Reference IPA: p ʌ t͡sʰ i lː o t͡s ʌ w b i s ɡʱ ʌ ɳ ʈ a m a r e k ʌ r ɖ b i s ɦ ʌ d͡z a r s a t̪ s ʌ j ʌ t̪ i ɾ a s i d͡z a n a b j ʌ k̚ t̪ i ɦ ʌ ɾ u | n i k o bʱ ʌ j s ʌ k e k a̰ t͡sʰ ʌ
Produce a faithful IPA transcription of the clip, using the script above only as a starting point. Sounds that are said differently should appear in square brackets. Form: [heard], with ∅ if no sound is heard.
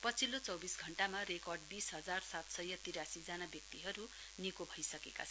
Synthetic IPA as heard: p ʌ t͡sʰ i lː o t͡s ʌ w b i s ɡʱ ʌ ɳ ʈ a m a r e k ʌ r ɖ b i s ɦ ʌ d͡z a r s a t̪ s ʌ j ʌ t̪ i ɾ a s i d͡z a n a b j ʌ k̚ t̪ i ɦ ʌ ɾ u | n i k o bʱ ʌ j s ʌ k e k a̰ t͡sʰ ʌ

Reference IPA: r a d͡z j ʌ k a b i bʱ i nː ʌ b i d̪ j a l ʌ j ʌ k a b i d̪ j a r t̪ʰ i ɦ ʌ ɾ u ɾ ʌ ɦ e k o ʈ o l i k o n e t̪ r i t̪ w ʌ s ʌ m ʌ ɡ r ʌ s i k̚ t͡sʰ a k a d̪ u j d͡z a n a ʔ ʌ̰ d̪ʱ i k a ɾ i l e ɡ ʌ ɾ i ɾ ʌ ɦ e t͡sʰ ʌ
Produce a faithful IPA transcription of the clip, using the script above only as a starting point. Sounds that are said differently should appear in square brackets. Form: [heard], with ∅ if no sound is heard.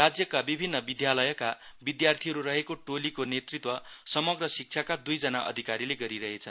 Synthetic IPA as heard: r a d͡z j ʌ k a b i bʱ i nː ʌ b i d̪ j a l ʌ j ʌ k a b i d̪ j a r t̪ʰ i ɦ ʌ ɾ u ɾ ʌ ɦ e k o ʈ o l i k o n e t̪ r i t̪ w ʌ s ʌ m ʌ ɡ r ʌ s i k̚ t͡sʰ a k a d̪ u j d͡z [ʌ] n a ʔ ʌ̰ d̪ʱ i k a ɾ i l e ɡ ʌ ɾ i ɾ ʌ ɦ e t͡sʰ ʌ

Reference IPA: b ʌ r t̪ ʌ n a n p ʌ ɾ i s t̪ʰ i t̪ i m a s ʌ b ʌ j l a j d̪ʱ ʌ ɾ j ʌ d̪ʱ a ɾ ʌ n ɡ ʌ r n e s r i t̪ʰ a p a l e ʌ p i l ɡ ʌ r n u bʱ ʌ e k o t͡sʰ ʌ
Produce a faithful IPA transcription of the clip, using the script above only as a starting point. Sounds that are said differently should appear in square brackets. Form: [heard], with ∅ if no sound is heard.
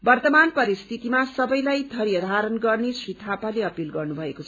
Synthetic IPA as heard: b ʌ r t̪ ʌ [m] a n p ʌ ɾ i s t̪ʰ i t̪ i m a s ʌ b ʌ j l a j d̪ʱ ʌ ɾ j ʌ d̪ʱ a ɾ ʌ n ɡ ʌ r n e s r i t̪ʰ a p a l e ʌ p i l ɡ ʌ r n u bʱ ʌ e k o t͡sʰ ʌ

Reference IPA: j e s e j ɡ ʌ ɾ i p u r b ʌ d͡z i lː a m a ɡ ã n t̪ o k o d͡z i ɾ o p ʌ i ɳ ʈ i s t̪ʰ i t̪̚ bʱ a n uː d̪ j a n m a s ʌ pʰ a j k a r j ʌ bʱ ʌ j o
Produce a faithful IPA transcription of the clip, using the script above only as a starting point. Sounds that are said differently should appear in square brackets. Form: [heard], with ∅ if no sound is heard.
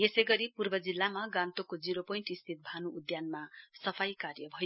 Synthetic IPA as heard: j e s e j ɡ ʌ ɾ i p u r b ʌ d͡z i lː a m a ɡ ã n t̪ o k o d͡z i ɾ o p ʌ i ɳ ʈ i s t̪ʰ i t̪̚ bʱ a n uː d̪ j a n m a s ʌ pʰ a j k a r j ʌ bʱ ʌ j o

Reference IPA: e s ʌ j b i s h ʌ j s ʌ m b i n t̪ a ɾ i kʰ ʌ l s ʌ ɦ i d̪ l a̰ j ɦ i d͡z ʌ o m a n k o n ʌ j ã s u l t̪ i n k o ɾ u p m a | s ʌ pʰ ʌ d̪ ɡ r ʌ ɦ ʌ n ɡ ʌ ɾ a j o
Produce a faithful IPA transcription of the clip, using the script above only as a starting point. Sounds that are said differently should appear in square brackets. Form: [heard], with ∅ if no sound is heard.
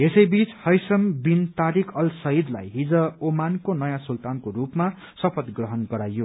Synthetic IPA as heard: e s ʌ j b i [t͡s] h ʌ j s ʌ m b i n t̪ a ɾ i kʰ ʌ l s ʌ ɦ i d̪ l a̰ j ɦ i d͡z ʌ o m a n k o n ʌ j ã s u l t̪ [a] n k o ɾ u p m a | s ʌ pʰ ʌ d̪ ɡ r ʌ ɦ ʌ n ɡ ʌ ɾ a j o

